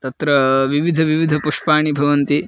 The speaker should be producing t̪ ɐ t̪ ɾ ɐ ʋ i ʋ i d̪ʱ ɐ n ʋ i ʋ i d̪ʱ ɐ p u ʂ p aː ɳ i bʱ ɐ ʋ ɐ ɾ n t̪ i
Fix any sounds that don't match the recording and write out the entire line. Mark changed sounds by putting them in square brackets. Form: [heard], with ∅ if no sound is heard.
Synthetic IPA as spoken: t̪ ɐ t̪ ɾ ɐ ʋ i ʋ i d̪ʱ ɐ [∅] ʋ i ʋ i d̪ʱ ɐ p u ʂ p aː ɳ i bʱ ɐ ʋ ɐ [∅] n t̪ i